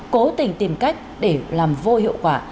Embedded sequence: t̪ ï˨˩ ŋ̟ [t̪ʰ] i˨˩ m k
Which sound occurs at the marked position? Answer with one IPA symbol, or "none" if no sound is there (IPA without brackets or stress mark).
t̪